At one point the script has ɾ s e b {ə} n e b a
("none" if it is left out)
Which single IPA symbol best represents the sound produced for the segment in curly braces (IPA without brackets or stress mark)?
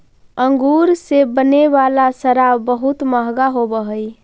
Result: ə